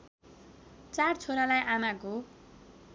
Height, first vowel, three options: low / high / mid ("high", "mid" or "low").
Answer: low